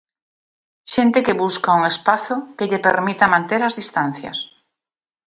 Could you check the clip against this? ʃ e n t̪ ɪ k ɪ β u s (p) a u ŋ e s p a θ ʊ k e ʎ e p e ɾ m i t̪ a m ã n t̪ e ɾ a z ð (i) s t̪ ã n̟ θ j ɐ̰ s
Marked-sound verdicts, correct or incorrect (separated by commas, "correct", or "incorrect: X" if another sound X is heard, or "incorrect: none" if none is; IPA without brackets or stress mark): incorrect: k, correct